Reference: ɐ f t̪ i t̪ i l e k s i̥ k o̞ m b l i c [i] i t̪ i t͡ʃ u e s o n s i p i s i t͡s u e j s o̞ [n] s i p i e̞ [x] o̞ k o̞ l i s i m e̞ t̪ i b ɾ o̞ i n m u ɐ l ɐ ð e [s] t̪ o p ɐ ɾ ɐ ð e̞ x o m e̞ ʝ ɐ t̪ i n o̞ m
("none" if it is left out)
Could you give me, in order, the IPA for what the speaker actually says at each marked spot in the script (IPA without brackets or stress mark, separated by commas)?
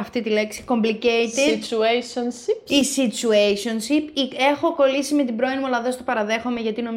e, n, x, s